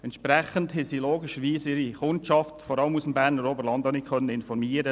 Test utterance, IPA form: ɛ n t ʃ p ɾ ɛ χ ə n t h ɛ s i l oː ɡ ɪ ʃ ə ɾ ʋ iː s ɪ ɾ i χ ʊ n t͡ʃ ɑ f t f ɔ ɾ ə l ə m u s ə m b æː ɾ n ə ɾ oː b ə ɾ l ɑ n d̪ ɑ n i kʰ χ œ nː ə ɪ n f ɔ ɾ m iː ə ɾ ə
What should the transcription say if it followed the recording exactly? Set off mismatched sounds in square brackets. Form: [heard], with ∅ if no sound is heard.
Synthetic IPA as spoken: ɛ n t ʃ p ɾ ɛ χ ə n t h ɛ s i l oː ɡ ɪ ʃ ə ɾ ʋ iː s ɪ ɾ i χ ʊ n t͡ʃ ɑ f t f ɔ ɾ [ɑ] l ə m u s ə m b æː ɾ n ə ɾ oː b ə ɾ l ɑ n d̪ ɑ n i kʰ χ œ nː ə ɪ n f ɔ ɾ m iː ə ɾ ə